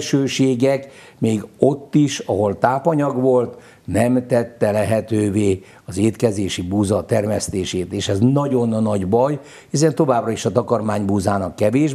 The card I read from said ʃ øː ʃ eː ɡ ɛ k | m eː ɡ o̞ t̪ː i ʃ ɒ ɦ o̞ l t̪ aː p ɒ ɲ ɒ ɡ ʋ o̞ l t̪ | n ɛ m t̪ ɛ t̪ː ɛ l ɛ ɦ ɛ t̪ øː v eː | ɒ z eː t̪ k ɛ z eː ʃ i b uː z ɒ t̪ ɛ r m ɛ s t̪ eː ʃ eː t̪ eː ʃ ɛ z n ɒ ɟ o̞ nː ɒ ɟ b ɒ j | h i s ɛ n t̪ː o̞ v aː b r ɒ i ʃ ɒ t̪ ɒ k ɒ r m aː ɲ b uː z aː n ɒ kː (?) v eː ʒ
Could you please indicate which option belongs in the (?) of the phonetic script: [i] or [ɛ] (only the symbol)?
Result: ɛ